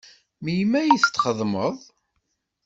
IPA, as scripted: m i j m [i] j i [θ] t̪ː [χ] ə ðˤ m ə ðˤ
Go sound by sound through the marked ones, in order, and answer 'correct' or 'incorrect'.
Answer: incorrect: æ, correct, correct

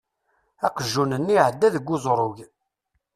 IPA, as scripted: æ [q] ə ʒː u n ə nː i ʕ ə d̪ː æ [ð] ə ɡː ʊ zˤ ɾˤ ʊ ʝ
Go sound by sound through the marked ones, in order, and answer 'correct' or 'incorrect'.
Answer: correct, correct

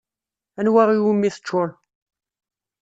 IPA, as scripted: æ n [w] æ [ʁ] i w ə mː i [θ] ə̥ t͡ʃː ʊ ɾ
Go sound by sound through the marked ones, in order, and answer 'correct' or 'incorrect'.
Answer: correct, correct, correct

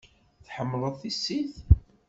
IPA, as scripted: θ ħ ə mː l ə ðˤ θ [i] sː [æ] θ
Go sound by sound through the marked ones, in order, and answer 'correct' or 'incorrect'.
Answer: correct, incorrect: i

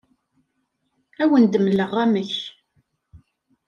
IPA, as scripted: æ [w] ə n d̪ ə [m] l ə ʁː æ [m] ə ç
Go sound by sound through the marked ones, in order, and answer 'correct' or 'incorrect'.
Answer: correct, correct, correct

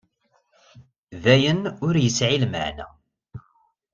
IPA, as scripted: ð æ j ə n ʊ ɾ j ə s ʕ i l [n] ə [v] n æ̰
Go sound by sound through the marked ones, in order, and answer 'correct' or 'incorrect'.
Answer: incorrect: m, incorrect: ʕ

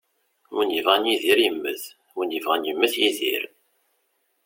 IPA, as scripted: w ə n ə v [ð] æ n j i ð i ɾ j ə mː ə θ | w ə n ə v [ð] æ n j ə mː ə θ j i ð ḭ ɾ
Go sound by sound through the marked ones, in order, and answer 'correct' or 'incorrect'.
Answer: incorrect: ʁ, incorrect: ʁ

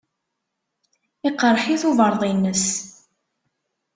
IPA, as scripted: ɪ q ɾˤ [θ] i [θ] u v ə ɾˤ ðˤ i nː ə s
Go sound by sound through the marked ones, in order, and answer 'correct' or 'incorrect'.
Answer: incorrect: ħ, correct

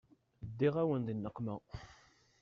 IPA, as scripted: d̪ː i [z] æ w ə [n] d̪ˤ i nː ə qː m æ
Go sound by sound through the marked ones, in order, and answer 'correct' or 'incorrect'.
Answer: incorrect: ʁ, correct

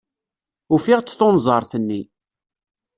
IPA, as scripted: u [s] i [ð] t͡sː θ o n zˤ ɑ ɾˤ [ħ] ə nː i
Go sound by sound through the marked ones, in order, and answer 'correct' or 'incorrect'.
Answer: incorrect: f, incorrect: ʁ, incorrect: θ

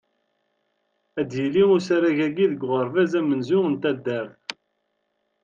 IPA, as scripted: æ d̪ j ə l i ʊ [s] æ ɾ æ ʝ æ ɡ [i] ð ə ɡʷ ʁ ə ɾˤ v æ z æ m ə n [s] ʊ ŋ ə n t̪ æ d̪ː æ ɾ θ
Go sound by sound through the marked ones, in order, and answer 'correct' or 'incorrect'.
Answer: correct, correct, incorrect: z

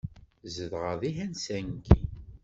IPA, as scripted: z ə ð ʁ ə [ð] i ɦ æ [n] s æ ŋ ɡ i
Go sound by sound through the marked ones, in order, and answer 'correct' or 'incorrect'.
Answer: correct, correct

